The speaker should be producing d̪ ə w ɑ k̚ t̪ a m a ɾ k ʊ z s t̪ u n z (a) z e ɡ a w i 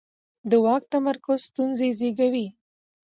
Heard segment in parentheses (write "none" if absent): e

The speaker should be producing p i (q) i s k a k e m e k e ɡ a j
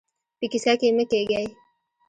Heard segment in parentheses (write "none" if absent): k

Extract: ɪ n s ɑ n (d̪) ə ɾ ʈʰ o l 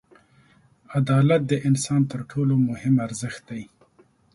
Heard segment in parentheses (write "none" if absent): t̪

